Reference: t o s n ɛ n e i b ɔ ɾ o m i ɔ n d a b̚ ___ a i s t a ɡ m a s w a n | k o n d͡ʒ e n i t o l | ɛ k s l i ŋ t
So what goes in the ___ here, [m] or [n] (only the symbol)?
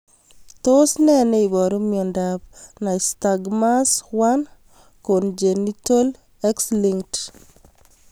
n